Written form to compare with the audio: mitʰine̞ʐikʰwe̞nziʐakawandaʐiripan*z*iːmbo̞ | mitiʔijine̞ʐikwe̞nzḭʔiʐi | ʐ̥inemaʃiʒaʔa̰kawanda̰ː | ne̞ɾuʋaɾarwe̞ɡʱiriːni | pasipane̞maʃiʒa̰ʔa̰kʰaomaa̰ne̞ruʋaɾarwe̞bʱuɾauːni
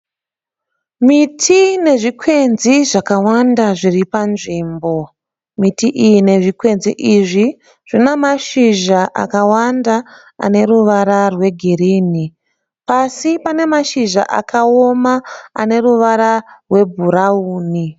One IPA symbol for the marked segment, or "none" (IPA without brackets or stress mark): ʐ